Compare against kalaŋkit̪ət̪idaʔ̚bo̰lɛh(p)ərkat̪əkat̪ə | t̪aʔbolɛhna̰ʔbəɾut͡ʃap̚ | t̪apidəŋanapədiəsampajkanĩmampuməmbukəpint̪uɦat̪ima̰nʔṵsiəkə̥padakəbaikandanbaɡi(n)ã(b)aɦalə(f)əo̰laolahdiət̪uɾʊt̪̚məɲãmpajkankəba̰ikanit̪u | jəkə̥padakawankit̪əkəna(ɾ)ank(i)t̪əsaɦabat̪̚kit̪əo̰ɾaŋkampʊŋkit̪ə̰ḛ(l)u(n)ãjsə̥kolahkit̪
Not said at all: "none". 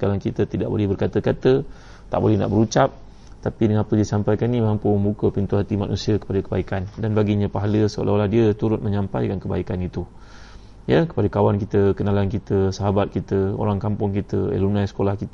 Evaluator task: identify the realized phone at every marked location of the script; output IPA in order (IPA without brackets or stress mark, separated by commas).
b, ɲ, p, s, l, i, l, n